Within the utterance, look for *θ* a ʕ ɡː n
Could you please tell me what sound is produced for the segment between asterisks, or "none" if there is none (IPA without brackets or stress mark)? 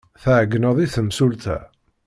θ